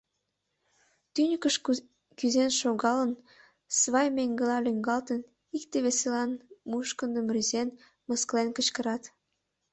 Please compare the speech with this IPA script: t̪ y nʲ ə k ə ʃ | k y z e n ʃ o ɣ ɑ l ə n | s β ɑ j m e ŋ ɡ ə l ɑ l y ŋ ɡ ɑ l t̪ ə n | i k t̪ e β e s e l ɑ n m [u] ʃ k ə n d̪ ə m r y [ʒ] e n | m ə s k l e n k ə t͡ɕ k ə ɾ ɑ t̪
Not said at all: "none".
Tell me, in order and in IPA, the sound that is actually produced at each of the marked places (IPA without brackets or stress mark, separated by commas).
u, z